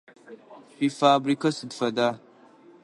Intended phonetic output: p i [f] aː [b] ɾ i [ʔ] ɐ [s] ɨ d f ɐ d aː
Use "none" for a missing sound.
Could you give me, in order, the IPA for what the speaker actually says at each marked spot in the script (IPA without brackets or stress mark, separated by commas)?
f, b, k, s